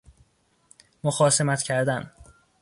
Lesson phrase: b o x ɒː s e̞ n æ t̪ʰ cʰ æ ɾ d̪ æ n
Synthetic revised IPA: m o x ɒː s e̞ m æ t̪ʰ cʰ æ ɾ d̪ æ n